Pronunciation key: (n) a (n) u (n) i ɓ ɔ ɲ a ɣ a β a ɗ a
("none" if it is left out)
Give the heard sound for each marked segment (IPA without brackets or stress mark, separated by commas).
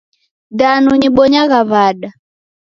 d, n, ɲ